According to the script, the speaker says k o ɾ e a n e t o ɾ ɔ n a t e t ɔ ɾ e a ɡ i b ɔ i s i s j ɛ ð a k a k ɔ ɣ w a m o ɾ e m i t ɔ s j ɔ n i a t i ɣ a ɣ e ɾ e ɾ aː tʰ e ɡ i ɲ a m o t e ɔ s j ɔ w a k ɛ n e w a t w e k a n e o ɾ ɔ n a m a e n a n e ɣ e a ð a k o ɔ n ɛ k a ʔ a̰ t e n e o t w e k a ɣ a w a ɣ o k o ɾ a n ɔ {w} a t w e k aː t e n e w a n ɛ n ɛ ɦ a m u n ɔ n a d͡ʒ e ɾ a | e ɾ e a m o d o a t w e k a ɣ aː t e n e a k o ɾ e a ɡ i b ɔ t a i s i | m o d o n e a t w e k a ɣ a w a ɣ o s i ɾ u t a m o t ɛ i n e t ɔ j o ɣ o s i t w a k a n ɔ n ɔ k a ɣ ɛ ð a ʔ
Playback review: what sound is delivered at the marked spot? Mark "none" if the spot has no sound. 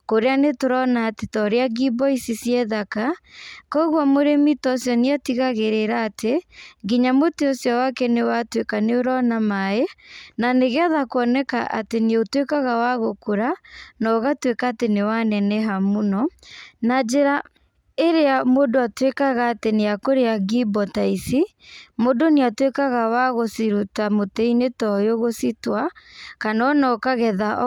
ɣ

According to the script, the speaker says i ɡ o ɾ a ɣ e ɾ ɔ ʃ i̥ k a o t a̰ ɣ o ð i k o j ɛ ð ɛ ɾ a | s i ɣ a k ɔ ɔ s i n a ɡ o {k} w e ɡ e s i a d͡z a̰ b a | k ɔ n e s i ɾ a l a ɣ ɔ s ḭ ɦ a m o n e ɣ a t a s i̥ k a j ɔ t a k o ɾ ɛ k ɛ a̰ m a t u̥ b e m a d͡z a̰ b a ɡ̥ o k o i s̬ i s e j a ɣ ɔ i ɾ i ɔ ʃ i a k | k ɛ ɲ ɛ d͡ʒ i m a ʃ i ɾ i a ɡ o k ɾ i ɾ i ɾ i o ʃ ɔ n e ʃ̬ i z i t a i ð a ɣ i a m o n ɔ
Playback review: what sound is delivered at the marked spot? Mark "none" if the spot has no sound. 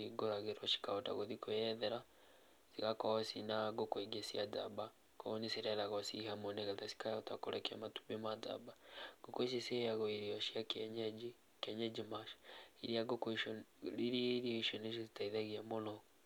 k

